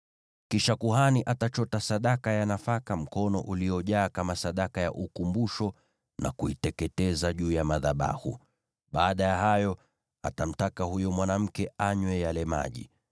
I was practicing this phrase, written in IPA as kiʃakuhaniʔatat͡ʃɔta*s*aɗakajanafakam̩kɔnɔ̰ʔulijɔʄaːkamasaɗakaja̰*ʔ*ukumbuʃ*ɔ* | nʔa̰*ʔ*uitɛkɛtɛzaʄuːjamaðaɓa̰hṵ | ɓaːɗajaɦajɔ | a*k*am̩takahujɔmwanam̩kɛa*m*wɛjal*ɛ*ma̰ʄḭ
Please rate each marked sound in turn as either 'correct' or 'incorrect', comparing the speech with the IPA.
correct, correct, correct, incorrect, incorrect, incorrect, correct

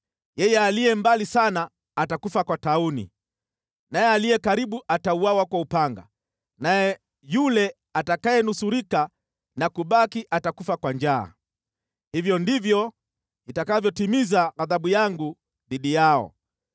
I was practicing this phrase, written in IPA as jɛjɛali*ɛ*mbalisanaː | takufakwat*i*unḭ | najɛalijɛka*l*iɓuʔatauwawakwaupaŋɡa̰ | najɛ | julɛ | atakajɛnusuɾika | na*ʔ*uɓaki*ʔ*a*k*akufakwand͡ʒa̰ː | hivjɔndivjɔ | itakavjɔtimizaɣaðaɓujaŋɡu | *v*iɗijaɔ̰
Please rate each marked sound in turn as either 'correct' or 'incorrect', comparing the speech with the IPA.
correct, incorrect, incorrect, incorrect, correct, incorrect, incorrect

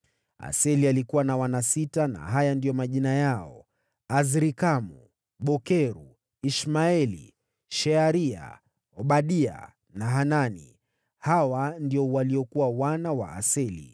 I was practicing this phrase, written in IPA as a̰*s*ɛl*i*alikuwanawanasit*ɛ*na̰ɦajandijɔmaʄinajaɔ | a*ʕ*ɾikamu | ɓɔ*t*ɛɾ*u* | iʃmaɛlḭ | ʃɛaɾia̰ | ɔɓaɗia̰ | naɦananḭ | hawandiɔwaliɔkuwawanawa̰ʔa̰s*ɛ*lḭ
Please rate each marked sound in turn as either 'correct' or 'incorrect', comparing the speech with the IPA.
correct, correct, incorrect, incorrect, incorrect, correct, correct

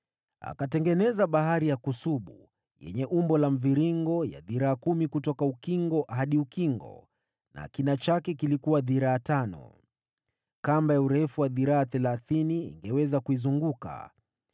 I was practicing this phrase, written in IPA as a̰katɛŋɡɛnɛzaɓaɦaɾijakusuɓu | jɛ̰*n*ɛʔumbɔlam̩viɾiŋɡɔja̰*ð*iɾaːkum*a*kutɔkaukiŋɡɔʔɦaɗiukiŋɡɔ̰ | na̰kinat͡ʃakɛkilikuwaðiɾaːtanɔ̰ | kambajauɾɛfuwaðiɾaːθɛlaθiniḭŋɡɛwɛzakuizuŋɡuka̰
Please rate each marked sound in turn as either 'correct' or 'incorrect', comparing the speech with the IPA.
incorrect, correct, incorrect

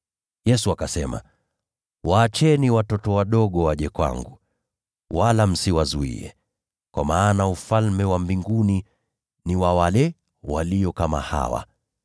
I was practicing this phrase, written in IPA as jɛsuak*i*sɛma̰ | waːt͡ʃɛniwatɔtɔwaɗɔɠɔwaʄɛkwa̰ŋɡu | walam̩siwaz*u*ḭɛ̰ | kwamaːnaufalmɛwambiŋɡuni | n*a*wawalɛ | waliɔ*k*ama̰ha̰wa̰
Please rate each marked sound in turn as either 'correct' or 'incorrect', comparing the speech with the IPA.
incorrect, correct, incorrect, correct

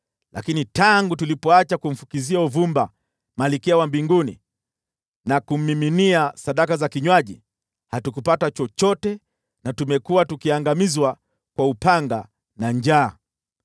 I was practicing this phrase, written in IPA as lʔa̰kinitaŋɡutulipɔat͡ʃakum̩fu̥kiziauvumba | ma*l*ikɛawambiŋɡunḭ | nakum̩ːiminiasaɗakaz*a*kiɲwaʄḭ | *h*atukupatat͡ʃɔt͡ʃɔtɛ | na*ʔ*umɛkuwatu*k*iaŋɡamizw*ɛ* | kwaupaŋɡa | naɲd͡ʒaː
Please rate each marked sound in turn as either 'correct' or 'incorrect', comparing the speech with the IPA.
correct, correct, correct, incorrect, correct, incorrect

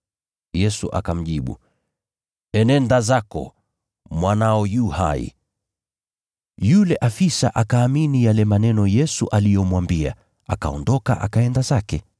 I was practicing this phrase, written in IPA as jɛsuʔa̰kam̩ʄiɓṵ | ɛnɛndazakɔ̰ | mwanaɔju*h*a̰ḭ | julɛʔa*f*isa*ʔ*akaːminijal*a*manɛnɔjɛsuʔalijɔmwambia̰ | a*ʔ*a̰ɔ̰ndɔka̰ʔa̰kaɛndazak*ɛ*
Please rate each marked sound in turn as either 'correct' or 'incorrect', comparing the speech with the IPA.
correct, correct, correct, incorrect, incorrect, correct

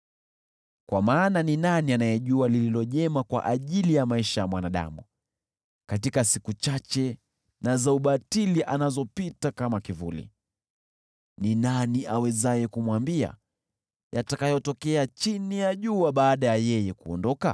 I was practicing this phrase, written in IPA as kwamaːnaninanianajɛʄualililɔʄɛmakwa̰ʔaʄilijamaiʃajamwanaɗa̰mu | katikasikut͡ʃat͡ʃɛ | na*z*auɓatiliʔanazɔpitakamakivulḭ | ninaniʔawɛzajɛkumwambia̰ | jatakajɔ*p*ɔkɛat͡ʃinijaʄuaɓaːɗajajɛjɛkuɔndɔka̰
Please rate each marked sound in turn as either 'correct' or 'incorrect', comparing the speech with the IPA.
correct, incorrect

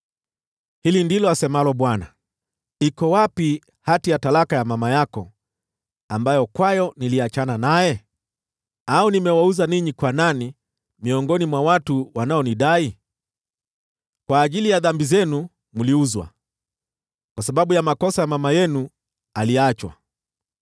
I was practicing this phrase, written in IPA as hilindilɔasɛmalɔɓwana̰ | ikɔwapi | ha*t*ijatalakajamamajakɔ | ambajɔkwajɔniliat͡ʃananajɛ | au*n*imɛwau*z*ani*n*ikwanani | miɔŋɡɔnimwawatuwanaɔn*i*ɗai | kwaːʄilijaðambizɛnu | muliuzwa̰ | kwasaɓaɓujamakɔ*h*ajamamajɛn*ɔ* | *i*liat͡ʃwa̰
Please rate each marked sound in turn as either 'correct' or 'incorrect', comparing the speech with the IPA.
correct, correct, correct, incorrect, correct, incorrect, incorrect, incorrect

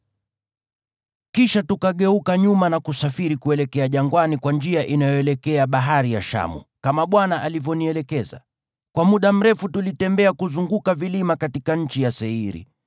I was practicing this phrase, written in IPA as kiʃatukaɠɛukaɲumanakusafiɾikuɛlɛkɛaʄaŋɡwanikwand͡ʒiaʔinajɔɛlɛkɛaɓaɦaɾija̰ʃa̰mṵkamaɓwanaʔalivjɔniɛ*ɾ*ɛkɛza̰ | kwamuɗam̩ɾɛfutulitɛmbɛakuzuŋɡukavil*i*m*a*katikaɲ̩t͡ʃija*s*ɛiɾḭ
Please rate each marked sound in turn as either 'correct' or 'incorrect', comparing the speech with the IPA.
incorrect, correct, correct, correct

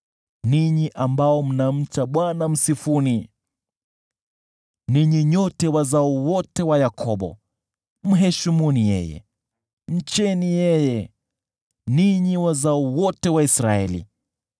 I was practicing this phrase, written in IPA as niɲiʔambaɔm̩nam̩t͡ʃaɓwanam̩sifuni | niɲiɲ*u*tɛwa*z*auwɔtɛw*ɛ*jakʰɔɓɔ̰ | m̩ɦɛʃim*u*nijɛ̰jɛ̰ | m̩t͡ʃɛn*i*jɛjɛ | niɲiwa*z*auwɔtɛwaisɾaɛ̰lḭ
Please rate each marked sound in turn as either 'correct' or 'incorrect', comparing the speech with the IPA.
incorrect, correct, incorrect, correct, correct, correct

